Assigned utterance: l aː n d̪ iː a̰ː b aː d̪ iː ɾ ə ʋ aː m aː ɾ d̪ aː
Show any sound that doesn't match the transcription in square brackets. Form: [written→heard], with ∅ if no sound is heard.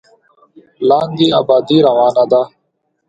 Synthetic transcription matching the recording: l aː n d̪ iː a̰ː b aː d̪ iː ɾ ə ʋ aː [m→n] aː [ɾ→∅] d̪ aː